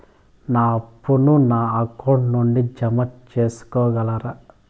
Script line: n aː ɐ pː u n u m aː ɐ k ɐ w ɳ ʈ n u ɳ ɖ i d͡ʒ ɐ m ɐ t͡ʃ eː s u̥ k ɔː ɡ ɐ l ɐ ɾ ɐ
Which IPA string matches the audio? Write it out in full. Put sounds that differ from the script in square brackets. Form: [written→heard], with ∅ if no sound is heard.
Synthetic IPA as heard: n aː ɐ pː u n u [m→n] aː ɐ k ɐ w ɳ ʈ n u ɳ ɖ i d͡ʒ ɐ m ɐ t͡ʃ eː s u̥ k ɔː ɡ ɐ l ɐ ɾ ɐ